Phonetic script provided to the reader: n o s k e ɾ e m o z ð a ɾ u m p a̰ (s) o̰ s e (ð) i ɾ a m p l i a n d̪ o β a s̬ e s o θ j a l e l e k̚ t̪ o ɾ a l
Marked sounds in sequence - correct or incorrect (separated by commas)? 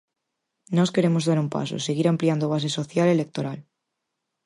correct, incorrect